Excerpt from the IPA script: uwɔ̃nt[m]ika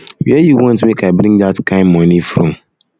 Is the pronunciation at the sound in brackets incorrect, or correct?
correct